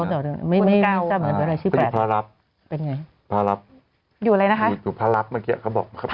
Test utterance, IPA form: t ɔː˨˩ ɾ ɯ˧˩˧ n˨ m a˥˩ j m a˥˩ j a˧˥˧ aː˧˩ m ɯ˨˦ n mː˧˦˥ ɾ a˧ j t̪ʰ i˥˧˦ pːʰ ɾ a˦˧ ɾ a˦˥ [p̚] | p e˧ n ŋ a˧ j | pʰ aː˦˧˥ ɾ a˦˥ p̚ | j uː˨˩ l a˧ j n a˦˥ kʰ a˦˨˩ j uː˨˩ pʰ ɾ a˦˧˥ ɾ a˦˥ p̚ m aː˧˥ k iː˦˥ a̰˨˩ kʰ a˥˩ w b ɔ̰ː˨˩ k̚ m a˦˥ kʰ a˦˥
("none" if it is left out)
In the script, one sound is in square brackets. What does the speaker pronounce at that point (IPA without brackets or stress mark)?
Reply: p̚